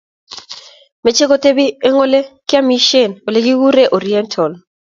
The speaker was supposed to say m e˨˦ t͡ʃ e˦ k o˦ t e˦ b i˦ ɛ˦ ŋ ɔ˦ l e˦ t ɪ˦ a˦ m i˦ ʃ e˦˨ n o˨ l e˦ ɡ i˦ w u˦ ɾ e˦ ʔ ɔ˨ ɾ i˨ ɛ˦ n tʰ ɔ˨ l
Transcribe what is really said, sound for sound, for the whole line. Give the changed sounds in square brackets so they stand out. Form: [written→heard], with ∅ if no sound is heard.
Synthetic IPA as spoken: m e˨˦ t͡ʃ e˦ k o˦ t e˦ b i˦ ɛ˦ ŋ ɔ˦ l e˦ [t→k] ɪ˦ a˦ m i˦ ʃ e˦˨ n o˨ l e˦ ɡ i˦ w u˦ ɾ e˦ ʔ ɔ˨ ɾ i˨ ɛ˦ n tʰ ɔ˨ l